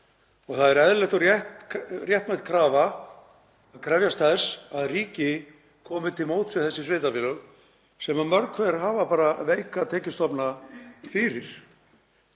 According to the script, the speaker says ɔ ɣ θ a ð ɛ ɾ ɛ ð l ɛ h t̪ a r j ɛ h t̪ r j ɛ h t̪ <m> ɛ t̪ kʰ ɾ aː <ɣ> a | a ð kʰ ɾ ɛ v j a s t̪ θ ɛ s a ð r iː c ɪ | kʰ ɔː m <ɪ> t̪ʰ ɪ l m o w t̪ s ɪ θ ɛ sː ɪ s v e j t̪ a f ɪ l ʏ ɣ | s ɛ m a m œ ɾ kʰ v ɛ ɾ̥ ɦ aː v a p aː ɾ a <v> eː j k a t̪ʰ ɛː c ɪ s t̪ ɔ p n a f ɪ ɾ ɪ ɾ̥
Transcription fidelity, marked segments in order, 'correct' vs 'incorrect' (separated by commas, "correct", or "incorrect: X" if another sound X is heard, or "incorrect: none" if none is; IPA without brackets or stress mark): correct, incorrect: v, correct, correct